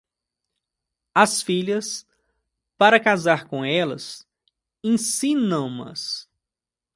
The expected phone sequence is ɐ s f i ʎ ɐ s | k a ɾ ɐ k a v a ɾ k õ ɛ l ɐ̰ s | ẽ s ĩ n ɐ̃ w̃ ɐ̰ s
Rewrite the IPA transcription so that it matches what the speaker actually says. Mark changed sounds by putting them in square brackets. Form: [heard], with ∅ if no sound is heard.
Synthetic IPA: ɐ s f i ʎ ɐ s | [p] a ɾ ɐ k a [z] a ɾ k õ ɛ l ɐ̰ s | ẽ s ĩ n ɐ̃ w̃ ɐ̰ s